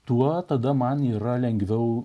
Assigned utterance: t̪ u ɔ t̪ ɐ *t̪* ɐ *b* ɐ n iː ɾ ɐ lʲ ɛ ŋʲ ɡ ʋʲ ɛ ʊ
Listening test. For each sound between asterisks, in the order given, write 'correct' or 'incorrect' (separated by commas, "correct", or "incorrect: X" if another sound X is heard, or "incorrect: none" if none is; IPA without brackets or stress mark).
incorrect: d̪, incorrect: m